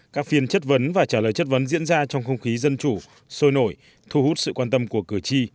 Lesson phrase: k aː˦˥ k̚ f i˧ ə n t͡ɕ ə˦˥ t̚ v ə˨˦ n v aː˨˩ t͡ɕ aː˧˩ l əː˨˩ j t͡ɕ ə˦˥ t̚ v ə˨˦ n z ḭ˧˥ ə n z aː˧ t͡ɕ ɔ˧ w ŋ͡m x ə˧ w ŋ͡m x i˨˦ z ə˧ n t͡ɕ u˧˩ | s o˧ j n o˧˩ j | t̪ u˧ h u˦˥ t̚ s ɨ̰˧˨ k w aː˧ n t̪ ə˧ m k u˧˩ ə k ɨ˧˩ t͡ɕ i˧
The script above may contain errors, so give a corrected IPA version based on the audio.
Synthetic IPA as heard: k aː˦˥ k̚ f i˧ ə n t͡ɕ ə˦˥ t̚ v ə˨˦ n v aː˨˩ t͡ɕ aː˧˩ l əː˨˩ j t͡ɕ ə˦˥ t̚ v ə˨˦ n z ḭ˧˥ ə n z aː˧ t͡ɕ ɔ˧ w ŋ͡m x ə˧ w ŋ͡m x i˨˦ z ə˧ n t͡ɕ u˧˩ | s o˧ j n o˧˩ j | t̪ʰ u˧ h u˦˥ t̚ s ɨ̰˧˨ k w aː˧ n t̪ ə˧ m k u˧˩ ə k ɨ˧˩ t͡ɕ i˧